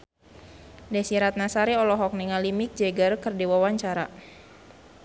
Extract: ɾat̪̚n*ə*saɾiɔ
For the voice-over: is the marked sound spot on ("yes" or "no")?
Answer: no